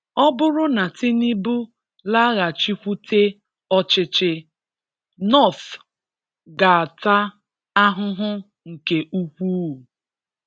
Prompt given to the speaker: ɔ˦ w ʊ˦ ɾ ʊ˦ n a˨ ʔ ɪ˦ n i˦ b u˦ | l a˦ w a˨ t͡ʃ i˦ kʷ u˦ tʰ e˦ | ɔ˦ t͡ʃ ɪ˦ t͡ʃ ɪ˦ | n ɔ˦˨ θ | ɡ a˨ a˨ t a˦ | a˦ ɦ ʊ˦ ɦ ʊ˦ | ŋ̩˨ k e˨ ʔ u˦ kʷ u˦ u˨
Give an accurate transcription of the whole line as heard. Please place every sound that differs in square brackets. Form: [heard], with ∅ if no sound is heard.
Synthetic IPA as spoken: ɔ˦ [b] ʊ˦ ɾ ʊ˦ n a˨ [t] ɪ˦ n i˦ b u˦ | l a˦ [ɣ] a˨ t͡ʃ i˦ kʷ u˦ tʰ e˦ | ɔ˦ t͡ʃ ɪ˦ t͡ʃ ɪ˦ | n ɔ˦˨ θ | ɡ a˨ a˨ t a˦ | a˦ ɦ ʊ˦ ɦ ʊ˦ | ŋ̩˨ k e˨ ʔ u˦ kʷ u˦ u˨